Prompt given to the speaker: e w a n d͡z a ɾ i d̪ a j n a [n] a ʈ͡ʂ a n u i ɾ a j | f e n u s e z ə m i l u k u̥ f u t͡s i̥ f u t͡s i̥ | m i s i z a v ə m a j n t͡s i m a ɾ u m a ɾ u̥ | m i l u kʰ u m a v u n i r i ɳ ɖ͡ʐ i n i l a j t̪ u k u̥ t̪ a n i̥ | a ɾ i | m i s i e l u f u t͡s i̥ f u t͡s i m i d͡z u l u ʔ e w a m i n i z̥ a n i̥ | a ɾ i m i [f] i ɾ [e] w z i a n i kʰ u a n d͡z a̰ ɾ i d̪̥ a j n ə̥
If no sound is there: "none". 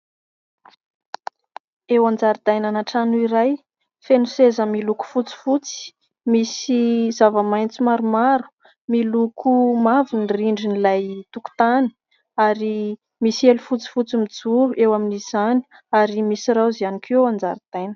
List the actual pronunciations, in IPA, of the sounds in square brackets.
n, s, a

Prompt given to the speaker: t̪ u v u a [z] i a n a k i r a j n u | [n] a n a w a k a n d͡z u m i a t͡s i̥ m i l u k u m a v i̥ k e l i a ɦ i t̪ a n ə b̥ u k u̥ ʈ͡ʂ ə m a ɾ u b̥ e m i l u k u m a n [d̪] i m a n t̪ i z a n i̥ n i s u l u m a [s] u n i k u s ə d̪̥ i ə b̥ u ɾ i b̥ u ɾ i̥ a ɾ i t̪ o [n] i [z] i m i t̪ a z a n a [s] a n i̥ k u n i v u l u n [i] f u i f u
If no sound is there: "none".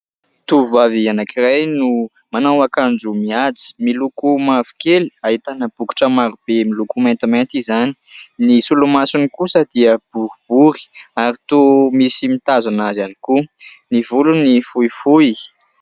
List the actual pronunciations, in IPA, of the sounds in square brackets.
v, m, t̪, s, m, s, z, i

